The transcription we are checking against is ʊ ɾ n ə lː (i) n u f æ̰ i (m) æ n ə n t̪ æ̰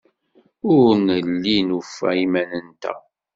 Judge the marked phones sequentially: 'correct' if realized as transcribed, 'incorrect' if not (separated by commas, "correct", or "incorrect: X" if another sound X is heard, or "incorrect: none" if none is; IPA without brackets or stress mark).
correct, correct